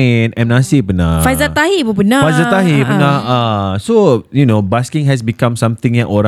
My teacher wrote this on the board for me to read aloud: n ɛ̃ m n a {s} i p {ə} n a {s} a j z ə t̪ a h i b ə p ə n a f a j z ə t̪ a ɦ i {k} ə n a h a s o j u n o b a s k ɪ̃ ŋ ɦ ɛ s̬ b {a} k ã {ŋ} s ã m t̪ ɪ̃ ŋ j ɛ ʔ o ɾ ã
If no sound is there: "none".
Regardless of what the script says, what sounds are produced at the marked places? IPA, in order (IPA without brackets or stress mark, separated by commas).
s, ə, f, p, i, m